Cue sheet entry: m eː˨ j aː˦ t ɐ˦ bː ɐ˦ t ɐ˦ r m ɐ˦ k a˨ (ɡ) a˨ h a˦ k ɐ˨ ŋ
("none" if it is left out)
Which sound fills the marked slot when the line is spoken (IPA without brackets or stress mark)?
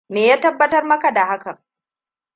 d